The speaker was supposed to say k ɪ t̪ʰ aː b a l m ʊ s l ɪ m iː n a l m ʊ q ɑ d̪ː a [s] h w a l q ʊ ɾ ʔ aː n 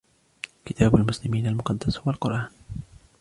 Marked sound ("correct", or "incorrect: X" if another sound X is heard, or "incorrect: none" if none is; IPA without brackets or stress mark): correct